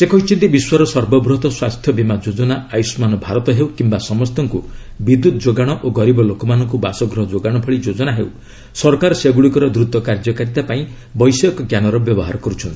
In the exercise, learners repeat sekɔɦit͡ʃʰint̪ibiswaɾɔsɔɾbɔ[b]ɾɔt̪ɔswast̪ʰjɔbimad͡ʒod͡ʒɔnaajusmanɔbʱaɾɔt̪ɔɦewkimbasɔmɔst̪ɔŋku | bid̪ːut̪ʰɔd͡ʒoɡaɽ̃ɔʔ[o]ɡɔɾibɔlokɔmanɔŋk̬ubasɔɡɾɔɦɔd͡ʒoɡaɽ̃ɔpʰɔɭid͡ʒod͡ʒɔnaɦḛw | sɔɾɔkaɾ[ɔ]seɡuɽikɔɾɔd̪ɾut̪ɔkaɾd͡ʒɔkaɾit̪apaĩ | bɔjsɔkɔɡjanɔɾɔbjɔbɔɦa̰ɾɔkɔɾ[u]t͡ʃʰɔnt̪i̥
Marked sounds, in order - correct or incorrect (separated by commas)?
correct, correct, correct, correct